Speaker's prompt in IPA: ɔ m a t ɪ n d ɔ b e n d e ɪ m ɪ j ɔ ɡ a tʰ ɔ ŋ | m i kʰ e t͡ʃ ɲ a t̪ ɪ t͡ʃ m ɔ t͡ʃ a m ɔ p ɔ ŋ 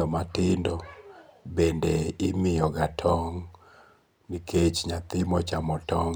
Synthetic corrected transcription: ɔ m a t ɪ n d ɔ b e n d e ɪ m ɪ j ɔ ɡ a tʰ ɔ ŋ | n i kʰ e t͡ʃ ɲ a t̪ ɪ m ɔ t͡ʃ a m ɔ t ɔ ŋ